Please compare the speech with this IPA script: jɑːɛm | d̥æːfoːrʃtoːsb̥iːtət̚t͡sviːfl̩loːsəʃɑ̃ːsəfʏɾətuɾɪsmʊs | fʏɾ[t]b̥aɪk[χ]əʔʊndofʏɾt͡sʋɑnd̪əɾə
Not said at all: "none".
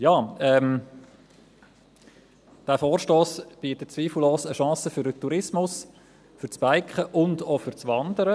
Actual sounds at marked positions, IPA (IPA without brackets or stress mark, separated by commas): t͡s, χ